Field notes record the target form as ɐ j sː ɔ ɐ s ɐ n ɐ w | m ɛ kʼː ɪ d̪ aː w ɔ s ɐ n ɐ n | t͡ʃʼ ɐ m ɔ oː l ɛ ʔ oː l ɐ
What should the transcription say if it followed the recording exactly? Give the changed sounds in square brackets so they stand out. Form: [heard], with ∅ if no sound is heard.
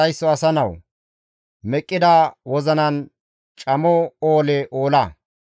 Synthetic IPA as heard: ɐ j sː ɔ ɐ s ɐ n ɐ w | m ɛ kʼː ɪ d̪ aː w ɔ [z] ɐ n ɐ n | t͡ʃʼ ɐ m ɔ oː l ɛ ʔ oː l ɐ